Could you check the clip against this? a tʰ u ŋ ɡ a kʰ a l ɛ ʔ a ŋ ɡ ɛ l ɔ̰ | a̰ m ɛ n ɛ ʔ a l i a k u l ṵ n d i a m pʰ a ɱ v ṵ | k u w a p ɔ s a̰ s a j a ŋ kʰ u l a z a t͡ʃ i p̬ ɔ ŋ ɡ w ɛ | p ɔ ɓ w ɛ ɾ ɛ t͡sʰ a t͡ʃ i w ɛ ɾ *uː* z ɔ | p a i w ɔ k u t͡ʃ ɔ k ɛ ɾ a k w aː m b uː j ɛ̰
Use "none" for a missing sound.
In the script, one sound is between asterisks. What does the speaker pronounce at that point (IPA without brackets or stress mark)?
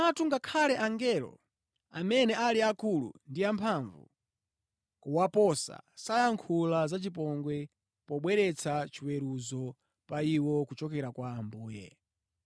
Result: u